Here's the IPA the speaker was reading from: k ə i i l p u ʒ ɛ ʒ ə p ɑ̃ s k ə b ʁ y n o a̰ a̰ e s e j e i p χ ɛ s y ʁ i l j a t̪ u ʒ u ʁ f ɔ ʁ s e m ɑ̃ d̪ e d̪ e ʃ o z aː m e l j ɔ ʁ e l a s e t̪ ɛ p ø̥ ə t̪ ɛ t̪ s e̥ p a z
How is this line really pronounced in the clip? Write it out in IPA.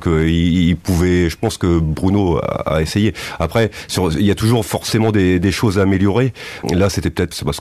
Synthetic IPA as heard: k ə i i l p u v ɛ ʒ ə p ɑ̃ s k ə b ʁ y n o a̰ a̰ e s e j e a p χ ɛ s y ʁ i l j a t̪ u ʒ u ʁ f ɔ ʁ s e m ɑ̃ d̪ e d̪ e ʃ o z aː m e l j ɔ ʁ e l a s e t̪ ɛ p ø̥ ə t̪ ɛ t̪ s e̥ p a s